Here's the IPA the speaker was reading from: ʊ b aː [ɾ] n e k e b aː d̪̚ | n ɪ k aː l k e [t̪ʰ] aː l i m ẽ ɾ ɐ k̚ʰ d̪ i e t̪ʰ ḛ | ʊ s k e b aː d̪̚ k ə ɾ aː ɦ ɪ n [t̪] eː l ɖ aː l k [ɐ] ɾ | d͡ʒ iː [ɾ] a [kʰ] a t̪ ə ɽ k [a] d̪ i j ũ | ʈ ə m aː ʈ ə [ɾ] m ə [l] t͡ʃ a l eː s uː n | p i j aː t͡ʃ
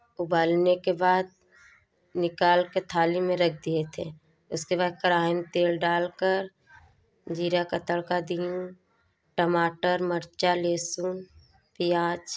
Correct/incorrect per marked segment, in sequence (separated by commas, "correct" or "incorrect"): incorrect, correct, correct, incorrect, correct, incorrect, correct, correct, incorrect